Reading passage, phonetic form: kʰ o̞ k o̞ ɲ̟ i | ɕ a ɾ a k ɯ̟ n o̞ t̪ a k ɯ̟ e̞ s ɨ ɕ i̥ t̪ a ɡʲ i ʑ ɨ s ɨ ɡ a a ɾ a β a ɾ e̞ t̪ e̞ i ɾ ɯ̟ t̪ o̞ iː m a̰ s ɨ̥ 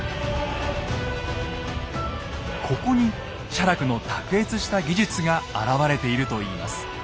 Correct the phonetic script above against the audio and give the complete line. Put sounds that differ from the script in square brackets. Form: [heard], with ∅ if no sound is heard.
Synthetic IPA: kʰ o̞ k o̞ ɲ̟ i | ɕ a ɾ a k ɯ̟ n o̞ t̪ a k ɯ̟ e̞ [t͡s] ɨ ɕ i̥ t̪ a ɡʲ i ʑ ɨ [t͡s] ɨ ɡ a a ɾ a β a ɾ e̞ t̪ e̞ i ɾ ɯ̟ t̪ o̞ iː m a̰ s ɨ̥